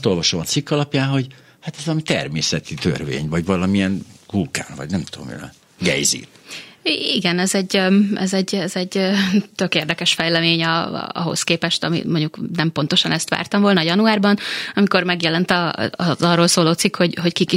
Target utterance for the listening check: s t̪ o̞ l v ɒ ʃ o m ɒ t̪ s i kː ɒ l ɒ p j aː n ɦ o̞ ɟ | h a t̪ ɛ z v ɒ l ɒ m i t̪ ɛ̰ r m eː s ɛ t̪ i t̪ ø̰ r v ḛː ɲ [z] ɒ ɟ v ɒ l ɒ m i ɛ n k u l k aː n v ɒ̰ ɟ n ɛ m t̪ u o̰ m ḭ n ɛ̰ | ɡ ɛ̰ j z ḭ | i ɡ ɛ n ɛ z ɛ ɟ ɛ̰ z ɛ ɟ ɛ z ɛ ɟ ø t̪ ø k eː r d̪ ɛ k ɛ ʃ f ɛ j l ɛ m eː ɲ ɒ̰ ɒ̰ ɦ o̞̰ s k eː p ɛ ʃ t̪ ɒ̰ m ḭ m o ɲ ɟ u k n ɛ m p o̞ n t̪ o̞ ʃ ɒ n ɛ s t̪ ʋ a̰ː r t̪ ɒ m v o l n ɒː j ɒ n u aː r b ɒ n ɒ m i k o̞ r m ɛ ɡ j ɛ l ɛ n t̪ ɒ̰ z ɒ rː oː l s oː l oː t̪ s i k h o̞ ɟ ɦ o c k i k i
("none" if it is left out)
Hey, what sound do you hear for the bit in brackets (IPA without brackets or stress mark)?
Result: v